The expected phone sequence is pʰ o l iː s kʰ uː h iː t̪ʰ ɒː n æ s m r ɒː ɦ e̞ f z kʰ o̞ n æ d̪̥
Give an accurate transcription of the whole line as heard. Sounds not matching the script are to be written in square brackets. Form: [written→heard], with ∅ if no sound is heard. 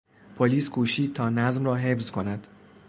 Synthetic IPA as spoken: pʰ o l iː s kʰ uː [h→ʃ] iː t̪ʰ ɒː n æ [s→z] m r ɒː ɦ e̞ f z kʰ o̞ n æ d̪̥